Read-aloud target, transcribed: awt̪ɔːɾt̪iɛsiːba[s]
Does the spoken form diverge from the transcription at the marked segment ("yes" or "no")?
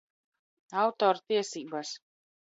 no